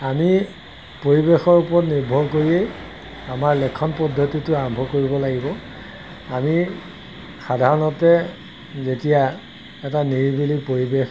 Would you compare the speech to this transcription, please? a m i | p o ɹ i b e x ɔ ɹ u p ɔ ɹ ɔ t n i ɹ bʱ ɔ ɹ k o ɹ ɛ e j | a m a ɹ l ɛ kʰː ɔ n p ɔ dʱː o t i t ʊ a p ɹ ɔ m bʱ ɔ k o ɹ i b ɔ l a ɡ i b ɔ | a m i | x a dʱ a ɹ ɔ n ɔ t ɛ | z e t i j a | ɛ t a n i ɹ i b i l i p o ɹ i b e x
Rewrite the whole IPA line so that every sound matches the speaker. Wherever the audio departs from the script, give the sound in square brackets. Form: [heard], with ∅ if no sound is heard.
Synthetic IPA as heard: a m i | p o ɹ i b e x ɔ ɹ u p ɔ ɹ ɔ t n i ɹ bʱ ɔ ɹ k o ɹ [i] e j | a m a ɹ l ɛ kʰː ɔ n p ɔ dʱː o t i t ʊ a [∅] ɹ ɔ m bʱ ɔ k o ɹ i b ɔ l a ɡ i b ɔ | a m i | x a dʱ a ɹ ɔ n ɔ t ɛ | z e t i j a | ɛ t a n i ɹ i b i l i p o ɹ i b e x